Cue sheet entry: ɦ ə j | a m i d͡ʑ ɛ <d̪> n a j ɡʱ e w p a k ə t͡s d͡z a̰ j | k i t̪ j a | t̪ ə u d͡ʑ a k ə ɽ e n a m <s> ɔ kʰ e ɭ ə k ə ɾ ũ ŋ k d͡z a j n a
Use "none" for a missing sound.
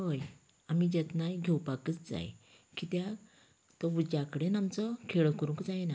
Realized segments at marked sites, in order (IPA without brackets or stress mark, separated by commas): t̪, t͡s